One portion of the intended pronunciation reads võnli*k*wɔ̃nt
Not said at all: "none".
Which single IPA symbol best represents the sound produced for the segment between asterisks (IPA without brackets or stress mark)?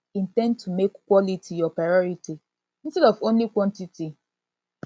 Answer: k